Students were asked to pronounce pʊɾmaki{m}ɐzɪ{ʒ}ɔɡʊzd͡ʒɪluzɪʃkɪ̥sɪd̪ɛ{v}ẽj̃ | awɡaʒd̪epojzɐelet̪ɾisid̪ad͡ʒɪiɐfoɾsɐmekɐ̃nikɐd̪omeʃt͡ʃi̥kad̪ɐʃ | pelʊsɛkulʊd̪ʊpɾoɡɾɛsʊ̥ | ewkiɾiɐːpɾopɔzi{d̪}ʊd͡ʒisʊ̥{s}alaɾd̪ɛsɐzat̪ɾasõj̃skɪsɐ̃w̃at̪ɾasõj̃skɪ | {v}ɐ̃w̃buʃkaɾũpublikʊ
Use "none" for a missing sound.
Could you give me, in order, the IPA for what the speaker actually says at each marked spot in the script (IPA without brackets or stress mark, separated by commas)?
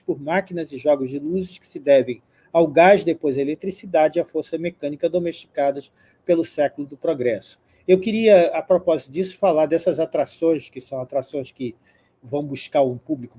n, ʒ, v, t̪, f, v